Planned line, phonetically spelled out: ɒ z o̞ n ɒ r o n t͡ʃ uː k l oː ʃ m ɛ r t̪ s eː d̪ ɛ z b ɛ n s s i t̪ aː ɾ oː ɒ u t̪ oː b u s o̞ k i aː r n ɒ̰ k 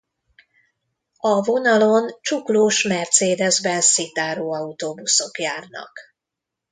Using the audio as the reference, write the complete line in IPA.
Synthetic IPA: ɒ v o̞ n ɒ l o n t͡ʃ u k l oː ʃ m ɛ r t̪ s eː d̪ ɛ z b ɛ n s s i t̪ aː ɾ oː ɒ u t̪ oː b u s o̞ k j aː r n ɒ̰ k